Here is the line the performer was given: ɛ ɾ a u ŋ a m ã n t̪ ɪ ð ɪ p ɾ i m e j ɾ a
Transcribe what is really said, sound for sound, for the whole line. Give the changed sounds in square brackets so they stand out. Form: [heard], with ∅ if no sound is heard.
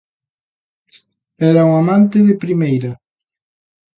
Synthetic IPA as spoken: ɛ ɾ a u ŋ a m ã n t̪ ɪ ð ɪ p ɾ i m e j ɾ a